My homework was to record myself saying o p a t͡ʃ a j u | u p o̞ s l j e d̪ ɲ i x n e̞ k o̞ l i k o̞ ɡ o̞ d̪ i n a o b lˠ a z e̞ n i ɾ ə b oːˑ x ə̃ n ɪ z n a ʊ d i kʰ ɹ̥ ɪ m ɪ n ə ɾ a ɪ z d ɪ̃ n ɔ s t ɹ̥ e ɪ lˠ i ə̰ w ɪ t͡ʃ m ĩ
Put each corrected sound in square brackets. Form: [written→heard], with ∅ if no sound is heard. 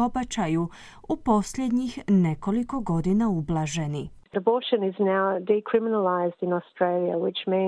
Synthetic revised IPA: o [p→b] a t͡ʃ a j u | u p o̞ s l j e d̪ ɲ i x n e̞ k o̞ l i k o̞ ɡ o̞ d̪ i n a [o→u] b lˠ a [z→ʒ] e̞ n i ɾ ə b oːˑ [x→ʃ] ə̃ n ɪ z n a ʊ d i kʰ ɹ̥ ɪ m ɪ n ə [ɾ→l] a ɪ z d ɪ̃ n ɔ s t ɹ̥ e ɪ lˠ i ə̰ w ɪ t͡ʃ m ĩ